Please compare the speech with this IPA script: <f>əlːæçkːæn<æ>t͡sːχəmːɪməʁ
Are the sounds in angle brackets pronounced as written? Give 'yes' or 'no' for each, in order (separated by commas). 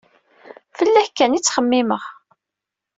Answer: yes, no